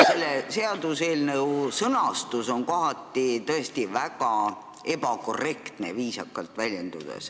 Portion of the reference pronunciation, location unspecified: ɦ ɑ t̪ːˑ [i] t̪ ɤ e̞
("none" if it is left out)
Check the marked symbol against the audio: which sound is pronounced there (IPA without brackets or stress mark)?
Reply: i